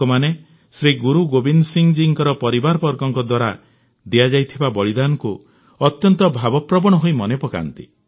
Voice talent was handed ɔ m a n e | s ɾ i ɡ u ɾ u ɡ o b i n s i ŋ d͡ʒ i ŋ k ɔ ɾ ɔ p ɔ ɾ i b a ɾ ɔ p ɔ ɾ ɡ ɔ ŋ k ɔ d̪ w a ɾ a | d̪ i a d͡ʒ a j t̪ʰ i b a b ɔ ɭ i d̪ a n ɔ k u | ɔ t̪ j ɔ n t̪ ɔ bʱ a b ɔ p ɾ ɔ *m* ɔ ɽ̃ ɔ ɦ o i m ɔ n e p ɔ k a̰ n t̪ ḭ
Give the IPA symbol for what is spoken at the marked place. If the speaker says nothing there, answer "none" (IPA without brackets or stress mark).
b